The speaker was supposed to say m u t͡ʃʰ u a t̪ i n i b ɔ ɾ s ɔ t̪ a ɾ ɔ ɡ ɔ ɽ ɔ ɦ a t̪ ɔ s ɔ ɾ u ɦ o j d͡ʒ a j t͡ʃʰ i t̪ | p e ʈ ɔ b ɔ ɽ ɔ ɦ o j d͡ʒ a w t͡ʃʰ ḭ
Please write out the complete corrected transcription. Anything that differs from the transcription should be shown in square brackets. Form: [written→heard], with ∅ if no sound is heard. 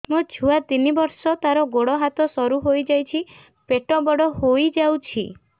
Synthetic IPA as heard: m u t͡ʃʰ u a t̪ i n i b ɔ ɾ s ɔ t̪ a ɾ ɔ ɡ [ɔ→o] ɽ ɔ ɦ a t̪ ɔ s ɔ ɾ u ɦ o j d͡ʒ a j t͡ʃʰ i [t̪→∅] | p e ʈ ɔ b ɔ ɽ ɔ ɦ o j d͡ʒ a w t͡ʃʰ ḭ